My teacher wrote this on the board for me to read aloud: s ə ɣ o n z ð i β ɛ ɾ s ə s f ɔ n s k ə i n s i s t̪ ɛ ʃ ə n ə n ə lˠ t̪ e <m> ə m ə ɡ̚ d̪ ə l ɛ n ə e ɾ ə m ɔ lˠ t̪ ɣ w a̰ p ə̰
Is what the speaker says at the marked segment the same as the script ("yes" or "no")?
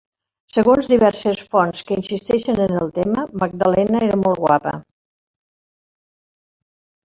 yes